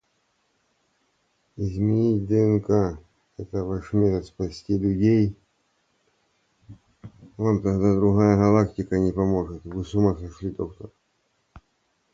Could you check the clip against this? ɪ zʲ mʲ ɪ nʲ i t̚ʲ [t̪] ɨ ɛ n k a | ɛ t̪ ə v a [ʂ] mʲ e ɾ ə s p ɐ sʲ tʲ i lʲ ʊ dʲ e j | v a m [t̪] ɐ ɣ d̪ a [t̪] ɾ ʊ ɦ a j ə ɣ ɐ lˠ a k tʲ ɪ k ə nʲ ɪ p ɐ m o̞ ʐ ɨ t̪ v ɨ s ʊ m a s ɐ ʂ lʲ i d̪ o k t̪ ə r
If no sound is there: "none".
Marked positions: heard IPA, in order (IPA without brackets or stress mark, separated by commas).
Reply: d̪, ʂ, t̪, d̪